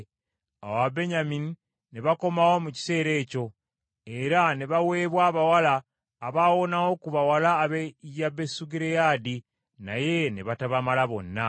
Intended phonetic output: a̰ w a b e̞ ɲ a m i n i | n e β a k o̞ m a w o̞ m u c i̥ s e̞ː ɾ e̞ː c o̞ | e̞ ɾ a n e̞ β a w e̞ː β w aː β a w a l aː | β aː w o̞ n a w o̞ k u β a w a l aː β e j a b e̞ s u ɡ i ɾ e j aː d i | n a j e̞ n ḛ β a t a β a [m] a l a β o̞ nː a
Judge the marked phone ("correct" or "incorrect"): correct